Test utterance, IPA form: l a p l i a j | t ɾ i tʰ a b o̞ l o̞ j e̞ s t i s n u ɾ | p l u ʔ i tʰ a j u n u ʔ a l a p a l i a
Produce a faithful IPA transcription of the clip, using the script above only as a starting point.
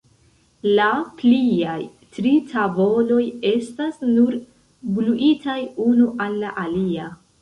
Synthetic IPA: l a p l i a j | t ɾ i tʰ a b o̞ l o̞ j e̞ s t a s n u ɾ | b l u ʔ i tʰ a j u n u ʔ a lː a ʔ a l i a